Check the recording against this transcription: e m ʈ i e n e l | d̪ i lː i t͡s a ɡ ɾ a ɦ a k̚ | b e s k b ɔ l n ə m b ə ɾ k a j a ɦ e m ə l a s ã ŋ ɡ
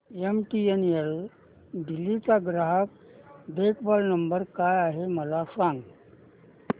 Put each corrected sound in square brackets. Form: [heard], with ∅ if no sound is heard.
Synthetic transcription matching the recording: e m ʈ i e n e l | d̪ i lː i t͡s a ɡ ɾ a ɦ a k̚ | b e [∅] k b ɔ l n ə m b ə ɾ k a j a ɦ e m ə l a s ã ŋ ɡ